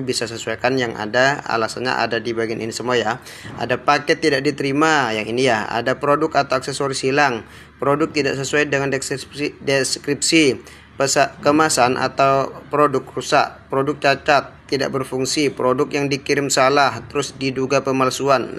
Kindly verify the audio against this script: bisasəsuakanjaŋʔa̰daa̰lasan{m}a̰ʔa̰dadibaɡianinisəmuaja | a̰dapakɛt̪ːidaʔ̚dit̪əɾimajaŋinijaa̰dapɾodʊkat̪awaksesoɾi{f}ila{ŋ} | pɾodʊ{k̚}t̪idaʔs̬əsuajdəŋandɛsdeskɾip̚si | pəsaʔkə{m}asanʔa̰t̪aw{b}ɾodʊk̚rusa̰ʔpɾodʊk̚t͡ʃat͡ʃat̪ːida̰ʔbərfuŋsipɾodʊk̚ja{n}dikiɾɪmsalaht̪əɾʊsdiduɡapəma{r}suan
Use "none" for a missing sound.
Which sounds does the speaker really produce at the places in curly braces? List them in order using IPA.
ɲ, s, ŋ, k̚, m, p, ŋ, l

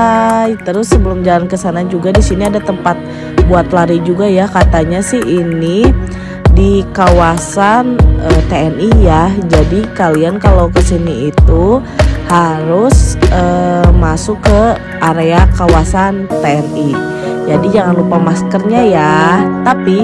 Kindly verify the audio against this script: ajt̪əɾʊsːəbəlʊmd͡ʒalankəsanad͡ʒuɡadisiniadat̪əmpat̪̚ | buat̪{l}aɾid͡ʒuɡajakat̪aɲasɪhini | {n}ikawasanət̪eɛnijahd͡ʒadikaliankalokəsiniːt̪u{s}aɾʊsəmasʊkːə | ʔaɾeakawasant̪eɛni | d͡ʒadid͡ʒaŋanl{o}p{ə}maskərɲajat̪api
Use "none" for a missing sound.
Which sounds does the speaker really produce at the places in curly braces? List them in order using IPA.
l, d, h, u, a

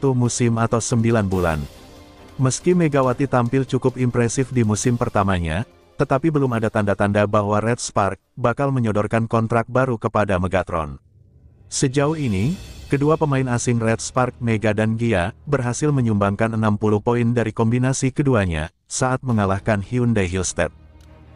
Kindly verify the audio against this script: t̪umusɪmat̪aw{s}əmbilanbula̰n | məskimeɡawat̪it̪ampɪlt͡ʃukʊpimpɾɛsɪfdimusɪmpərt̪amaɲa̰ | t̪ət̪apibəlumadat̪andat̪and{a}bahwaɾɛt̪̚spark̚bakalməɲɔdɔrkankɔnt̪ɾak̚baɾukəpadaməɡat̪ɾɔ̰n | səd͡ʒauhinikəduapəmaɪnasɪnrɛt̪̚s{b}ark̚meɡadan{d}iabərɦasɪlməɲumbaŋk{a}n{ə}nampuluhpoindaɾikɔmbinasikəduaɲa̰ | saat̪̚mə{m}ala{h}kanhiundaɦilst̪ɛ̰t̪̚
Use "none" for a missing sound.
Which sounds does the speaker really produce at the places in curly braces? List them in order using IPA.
s, a, p, ɡ, a, ə, ŋ, h

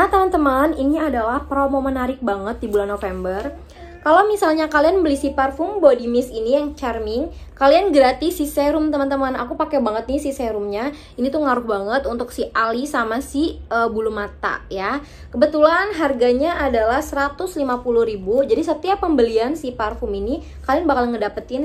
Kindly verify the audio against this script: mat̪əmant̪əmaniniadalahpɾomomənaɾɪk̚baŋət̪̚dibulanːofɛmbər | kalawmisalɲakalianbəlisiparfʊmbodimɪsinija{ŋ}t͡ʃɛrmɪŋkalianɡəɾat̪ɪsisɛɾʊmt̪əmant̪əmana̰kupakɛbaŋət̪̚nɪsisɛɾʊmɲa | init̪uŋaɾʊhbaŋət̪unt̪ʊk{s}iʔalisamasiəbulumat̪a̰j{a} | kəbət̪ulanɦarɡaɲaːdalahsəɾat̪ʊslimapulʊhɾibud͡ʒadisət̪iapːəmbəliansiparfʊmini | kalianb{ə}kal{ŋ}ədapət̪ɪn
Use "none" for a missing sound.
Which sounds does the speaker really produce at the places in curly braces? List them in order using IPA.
ŋ, s, a, a, ŋ

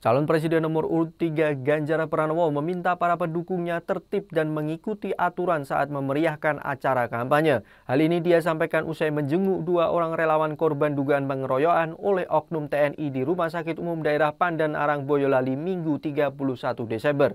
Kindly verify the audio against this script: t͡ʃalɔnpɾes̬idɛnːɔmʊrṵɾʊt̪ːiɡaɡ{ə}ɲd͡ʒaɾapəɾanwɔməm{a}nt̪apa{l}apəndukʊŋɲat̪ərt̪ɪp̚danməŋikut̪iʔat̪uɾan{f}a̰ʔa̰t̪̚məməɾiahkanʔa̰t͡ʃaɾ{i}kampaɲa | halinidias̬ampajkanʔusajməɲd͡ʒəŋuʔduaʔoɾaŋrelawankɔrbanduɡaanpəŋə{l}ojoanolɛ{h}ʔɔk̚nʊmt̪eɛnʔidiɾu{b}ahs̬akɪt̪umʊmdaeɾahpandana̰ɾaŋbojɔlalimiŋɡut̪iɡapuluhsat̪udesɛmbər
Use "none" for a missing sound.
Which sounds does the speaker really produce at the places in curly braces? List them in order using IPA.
a, i, ɾ, s, a, ɾ, h, m

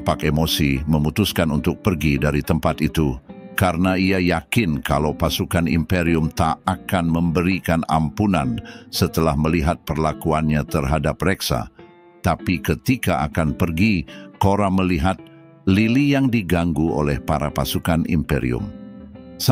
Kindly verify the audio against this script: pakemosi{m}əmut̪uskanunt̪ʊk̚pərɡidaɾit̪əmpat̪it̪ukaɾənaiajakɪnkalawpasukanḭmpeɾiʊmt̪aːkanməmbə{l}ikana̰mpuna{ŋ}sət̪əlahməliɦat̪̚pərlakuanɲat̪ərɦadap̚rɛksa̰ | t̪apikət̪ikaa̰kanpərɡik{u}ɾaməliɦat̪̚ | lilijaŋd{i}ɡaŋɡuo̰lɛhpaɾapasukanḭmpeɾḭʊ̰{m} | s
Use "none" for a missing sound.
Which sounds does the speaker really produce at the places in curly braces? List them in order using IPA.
m, ɾ, n, o, i, m

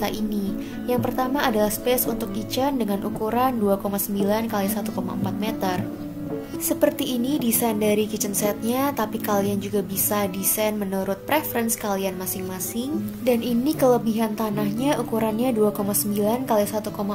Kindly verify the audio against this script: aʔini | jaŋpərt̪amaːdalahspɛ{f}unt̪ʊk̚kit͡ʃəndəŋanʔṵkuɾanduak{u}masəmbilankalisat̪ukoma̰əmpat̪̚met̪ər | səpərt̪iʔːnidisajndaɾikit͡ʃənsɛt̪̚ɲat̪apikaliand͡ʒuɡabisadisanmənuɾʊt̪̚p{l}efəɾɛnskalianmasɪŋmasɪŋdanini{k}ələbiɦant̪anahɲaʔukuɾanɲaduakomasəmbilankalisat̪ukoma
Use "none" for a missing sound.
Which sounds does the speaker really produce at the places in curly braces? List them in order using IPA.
s, o, ɾ, k

